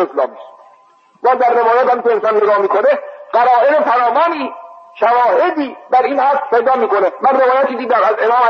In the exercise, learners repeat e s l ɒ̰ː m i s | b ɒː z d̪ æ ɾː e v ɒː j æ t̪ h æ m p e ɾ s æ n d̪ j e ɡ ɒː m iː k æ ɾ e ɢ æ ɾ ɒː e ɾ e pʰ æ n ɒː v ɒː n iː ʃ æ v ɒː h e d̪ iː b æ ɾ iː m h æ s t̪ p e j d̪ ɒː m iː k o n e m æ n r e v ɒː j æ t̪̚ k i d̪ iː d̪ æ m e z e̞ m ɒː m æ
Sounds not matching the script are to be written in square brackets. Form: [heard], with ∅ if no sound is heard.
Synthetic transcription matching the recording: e s l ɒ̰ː m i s | b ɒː z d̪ æ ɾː e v ɒː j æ t̪ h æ m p e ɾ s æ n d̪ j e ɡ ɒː m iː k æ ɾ e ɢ æ ɾ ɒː e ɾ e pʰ æ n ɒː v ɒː n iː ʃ æ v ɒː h e d̪ iː b æ ɾ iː [n] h æ s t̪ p e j d̪ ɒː m iː k o n e m æ n r e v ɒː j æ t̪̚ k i d̪ iː d̪ æ m [æ] z e̞ m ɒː m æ